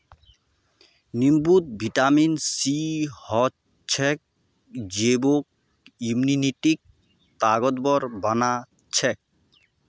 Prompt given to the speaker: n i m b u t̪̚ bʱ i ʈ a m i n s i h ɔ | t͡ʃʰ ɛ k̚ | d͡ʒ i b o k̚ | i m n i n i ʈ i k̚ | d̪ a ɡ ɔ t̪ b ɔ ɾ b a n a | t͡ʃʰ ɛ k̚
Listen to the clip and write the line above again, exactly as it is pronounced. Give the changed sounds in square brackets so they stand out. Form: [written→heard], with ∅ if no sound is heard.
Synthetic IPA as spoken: n i m b u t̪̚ bʱ i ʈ a m i n s i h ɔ | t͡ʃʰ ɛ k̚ | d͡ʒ [i→e] b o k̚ | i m n i n i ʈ i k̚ | [d̪→t̪] a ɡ ɔ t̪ b ɔ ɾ b a n a | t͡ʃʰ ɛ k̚